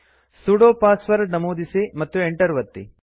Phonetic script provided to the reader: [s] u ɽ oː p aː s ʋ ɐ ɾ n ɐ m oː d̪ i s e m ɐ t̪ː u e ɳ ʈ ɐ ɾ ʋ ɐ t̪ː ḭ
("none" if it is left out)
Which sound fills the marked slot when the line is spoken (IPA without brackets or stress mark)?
s